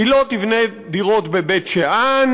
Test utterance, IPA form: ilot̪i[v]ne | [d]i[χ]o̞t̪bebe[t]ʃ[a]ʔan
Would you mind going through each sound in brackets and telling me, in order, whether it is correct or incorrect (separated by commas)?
correct, correct, incorrect, correct, incorrect